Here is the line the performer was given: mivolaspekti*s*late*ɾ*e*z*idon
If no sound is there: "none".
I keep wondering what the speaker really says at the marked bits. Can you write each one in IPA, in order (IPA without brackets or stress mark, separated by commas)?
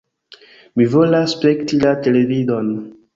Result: none, l, v